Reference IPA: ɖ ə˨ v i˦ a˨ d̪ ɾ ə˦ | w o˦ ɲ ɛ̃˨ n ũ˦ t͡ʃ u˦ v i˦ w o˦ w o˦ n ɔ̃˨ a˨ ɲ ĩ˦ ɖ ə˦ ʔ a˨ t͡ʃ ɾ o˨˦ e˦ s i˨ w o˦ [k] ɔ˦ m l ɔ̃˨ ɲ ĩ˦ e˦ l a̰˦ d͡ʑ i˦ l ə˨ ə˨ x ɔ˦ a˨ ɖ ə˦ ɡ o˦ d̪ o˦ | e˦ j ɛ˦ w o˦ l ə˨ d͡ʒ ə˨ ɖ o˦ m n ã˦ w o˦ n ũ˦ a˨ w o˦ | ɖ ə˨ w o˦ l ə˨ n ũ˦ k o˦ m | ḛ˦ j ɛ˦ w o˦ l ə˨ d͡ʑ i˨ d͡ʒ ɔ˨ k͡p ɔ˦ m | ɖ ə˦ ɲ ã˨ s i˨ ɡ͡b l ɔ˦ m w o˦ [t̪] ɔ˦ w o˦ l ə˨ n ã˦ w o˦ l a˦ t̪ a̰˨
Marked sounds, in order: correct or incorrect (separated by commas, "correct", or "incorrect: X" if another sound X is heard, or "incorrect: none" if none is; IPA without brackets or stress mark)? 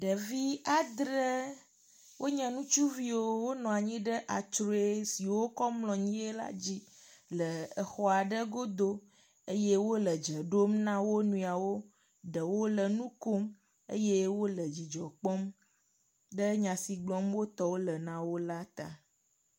correct, correct